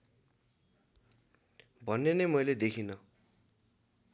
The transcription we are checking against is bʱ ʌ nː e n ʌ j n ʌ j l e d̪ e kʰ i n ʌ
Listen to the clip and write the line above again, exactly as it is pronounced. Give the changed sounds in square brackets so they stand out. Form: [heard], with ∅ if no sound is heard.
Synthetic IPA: bʱ ʌ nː e n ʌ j [m] ʌ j l e d̪ e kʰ i n ʌ